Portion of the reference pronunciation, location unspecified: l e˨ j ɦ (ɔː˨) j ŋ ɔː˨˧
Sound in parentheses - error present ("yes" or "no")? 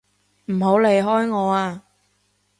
yes